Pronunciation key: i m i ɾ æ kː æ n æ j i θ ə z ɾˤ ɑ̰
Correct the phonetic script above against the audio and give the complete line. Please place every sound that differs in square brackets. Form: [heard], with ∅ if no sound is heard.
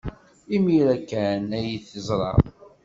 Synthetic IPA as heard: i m i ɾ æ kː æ n æ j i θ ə z ɾˤ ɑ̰